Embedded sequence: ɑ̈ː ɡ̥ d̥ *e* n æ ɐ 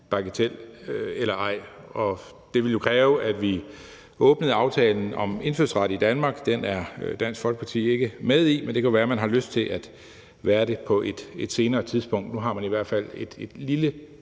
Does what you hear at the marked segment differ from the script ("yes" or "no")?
no